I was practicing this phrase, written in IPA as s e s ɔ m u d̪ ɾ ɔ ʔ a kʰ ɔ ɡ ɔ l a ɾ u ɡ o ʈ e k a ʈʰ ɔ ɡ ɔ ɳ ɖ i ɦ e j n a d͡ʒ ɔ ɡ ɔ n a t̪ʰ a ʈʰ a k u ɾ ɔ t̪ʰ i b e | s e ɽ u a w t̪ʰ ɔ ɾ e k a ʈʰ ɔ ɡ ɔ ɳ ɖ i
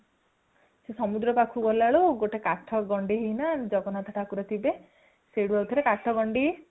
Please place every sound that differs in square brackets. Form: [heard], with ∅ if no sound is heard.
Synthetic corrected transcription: s e s ɔ m u d̪ ɾ ɔ [p] a kʰ [u] ɡ ɔ l a [ɭ] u ɡ o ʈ e k a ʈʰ ɔ ɡ ɔ ɳ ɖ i ɦ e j n a d͡ʒ ɔ ɡ ɔ n a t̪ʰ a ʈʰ a k u ɾ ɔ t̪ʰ i b e | s e ɽ u a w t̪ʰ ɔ ɾ e k a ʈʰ ɔ ɡ ɔ ɳ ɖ i